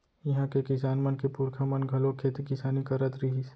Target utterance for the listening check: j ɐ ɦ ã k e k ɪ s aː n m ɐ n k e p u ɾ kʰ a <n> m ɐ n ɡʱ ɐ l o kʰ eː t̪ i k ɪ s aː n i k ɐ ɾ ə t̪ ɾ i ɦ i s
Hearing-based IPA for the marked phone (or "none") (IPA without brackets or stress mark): none